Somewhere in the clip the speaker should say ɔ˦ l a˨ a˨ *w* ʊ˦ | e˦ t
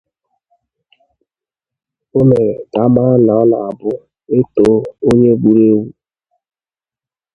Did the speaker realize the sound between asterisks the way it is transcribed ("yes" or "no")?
no